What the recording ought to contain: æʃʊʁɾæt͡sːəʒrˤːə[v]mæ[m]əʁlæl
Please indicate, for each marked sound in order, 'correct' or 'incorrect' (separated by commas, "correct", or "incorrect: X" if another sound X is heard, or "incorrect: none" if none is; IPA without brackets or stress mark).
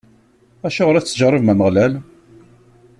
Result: correct, correct